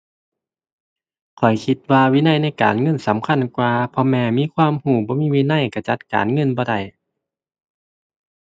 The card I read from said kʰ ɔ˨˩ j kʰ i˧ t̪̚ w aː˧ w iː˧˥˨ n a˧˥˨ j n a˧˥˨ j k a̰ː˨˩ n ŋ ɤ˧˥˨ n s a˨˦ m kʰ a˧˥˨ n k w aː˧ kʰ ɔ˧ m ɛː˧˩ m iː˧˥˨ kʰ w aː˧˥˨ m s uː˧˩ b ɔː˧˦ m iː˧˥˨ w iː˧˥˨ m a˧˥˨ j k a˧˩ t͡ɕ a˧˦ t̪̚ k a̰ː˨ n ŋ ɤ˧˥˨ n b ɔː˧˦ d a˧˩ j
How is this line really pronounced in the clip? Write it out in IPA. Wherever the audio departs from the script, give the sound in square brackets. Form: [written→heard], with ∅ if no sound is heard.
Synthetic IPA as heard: kʰ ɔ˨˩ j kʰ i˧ t̪̚ w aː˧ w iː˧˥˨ n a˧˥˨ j n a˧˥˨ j k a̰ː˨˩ n ŋ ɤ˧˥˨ n s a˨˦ m kʰ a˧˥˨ n k w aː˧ [kʰ→pʰ] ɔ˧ m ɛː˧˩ m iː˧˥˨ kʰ w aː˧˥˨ m [s→h] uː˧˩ b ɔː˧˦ m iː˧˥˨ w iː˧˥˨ [m→n] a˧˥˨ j k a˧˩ t͡ɕ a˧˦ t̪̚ k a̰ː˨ n ŋ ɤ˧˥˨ n b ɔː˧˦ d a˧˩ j